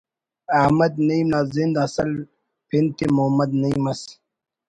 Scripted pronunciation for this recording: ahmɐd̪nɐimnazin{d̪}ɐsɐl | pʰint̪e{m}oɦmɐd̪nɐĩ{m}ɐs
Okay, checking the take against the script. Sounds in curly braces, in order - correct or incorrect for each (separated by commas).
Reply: correct, correct, correct